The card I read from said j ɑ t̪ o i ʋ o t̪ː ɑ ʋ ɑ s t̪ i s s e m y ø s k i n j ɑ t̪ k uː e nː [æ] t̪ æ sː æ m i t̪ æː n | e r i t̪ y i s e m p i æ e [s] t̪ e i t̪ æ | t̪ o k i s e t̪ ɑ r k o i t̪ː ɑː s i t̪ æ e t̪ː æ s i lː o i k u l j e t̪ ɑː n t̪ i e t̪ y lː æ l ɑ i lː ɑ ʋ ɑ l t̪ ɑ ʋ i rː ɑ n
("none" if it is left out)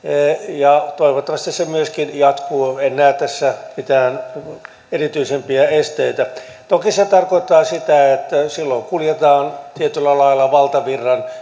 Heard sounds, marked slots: æː, s

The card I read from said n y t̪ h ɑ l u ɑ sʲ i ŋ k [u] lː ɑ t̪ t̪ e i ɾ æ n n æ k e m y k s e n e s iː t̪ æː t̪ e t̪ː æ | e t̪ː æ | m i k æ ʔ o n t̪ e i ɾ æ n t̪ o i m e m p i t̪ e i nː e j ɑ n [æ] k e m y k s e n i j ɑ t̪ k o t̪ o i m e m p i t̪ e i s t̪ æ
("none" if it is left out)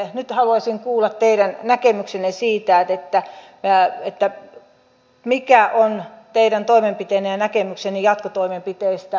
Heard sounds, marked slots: uː, æ

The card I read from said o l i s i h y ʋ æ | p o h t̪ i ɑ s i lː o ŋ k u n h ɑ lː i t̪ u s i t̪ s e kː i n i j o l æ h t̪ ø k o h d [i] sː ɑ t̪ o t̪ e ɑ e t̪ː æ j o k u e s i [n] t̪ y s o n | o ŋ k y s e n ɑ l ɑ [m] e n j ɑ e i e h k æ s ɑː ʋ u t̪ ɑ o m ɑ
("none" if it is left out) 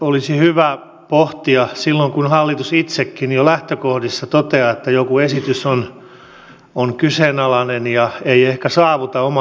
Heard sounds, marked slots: i, none, n

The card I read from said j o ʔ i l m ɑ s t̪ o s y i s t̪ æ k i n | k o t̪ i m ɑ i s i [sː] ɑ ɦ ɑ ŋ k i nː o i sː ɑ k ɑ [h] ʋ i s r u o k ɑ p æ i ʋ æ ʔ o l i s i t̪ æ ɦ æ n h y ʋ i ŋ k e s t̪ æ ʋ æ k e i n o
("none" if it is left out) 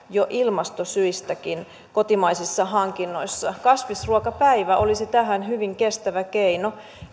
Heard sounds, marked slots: sː, s

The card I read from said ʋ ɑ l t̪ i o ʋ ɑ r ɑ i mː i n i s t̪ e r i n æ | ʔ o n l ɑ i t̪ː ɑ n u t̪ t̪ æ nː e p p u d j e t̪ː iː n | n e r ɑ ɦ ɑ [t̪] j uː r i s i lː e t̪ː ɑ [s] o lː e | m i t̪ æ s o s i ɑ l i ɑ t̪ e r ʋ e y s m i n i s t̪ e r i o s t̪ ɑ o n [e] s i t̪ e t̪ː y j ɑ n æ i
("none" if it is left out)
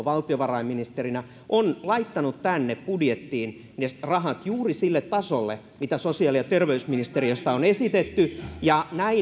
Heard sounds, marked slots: t̪, s, e

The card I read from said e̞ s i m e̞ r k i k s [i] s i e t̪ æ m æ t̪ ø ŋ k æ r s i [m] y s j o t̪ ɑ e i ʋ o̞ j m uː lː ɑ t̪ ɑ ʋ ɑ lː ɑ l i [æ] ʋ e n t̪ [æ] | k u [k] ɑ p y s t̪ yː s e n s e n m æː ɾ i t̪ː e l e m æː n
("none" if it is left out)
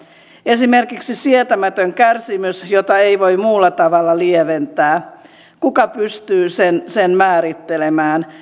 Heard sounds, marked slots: i, m, e, æː, k

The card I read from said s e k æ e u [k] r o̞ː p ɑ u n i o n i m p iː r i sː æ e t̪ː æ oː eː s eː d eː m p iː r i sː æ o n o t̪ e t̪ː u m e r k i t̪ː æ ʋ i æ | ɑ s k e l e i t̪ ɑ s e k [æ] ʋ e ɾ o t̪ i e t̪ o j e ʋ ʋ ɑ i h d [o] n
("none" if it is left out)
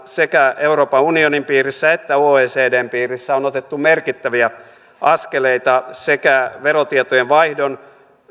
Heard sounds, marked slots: none, æ, o

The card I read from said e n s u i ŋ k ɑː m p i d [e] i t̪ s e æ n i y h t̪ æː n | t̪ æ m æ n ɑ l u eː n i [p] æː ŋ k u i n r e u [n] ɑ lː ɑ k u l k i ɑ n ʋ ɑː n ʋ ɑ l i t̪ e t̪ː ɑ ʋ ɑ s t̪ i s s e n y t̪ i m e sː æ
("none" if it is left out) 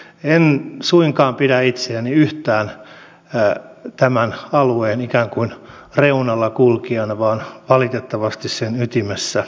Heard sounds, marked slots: æ, k, n

